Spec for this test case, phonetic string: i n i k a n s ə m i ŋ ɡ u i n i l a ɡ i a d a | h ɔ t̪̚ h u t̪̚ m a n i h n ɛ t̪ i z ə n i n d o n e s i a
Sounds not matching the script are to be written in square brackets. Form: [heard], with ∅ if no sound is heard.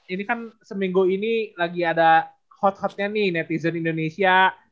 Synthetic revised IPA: i n i k a n s ə m i ŋ ɡ u i n i l a ɡ i a d a | h ɔ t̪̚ h [ɔ] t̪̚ [ɲ] a n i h n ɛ t̪ i z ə n i n d o n e s i a